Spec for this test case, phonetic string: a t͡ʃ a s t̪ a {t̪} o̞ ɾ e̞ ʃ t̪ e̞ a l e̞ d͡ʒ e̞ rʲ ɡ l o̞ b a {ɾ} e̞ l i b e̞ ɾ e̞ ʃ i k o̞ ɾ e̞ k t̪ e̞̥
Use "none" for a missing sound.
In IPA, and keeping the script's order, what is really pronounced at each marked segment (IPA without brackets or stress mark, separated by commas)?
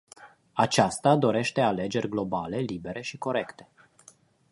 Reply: d̪, l